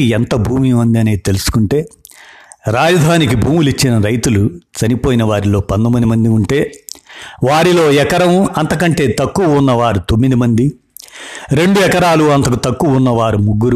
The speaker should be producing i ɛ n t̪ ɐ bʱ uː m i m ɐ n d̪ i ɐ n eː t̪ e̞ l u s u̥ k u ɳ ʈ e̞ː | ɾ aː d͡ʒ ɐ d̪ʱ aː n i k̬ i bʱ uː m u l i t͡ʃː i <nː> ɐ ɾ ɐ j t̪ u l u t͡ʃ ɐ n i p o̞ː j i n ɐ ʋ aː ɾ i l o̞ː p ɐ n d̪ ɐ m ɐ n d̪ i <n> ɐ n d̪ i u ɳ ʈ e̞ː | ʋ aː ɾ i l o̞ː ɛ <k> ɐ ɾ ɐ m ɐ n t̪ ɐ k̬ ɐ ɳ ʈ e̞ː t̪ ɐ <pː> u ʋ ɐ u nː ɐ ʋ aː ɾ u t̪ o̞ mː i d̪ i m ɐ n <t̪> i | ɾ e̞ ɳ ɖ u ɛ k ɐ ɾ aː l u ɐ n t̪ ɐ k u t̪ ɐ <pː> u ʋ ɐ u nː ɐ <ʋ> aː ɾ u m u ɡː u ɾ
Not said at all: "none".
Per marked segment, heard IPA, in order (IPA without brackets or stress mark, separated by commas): n, m, k, kː, d̪, kː, ʋ